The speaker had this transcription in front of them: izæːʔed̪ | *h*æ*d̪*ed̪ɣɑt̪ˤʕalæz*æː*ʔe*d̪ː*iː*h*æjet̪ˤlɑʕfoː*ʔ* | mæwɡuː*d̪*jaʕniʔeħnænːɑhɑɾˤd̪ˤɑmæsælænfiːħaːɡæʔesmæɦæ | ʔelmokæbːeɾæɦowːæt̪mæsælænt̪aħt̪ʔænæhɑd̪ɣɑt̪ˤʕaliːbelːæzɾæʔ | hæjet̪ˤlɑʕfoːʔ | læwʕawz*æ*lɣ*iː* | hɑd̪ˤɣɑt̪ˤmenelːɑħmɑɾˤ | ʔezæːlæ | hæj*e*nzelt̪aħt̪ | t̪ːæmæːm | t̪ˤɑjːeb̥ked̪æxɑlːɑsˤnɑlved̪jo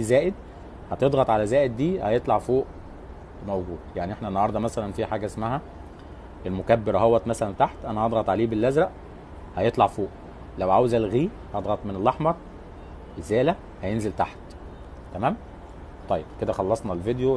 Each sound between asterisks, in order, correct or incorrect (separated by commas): correct, incorrect, correct, correct, correct, correct, correct, correct, correct, correct